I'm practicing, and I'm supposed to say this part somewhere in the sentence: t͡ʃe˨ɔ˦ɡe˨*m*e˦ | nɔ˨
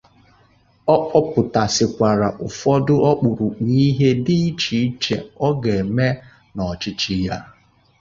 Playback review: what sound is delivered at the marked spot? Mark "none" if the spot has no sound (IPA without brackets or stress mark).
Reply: m